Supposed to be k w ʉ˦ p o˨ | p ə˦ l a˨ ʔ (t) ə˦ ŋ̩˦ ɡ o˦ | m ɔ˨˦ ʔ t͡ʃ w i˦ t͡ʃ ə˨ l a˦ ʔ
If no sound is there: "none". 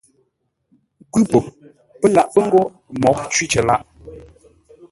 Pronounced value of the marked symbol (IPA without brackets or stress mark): p